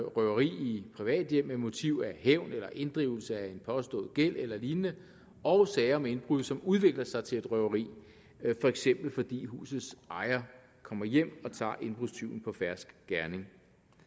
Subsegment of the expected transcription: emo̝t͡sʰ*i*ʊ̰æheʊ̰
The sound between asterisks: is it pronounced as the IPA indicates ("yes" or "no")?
yes